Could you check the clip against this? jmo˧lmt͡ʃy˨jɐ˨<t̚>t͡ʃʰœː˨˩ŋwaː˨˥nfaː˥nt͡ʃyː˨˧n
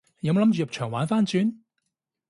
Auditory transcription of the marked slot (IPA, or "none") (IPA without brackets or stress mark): p̚